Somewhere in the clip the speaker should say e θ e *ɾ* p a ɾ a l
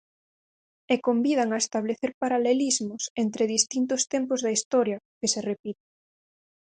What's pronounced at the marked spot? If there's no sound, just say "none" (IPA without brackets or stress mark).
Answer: ɾ